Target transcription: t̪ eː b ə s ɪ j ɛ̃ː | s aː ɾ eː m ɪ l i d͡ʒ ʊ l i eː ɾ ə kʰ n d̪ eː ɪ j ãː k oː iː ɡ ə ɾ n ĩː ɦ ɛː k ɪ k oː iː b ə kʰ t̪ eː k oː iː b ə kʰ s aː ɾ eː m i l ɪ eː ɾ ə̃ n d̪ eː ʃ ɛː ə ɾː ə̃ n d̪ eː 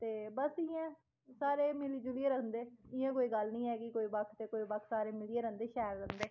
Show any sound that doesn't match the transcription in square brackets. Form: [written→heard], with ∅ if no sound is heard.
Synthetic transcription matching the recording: t̪ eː b ə s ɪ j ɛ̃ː | s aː ɾ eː m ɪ l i d͡ʒ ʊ l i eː ɾ ə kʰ n d̪ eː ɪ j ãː k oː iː ɡ ə [ɾ→l] n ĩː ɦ ɛː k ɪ k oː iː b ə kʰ t̪ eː k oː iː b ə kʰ s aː ɾ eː m [i→ɪ] l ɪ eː ɾ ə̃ n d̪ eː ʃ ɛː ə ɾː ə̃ n d̪ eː